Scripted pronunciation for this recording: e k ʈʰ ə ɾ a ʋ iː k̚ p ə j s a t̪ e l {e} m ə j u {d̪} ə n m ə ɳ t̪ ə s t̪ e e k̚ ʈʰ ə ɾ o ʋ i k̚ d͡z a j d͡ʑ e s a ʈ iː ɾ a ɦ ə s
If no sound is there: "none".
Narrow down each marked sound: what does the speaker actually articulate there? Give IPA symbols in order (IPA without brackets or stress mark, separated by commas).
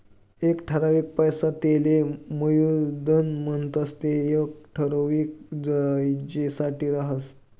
e, d̪